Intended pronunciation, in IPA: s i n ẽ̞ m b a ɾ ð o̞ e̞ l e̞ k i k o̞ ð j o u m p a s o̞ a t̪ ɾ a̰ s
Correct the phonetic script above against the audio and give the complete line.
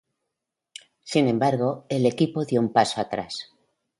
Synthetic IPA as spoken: s i n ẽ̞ m b a ɾ ɣ o̞ e̞ l e̞ k i p o̞ ð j o u m p a s o̞ a t̪ ɾ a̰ s